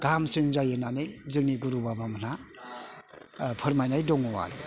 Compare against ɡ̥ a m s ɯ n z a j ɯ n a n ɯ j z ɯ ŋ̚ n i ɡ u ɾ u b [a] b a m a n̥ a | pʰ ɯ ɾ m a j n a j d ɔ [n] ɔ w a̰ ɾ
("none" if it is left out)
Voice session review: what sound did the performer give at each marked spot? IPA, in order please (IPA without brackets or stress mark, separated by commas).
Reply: a, ŋ